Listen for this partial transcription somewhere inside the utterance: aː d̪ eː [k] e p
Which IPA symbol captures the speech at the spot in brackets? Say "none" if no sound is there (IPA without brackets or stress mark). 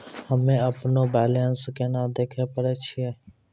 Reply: kʰ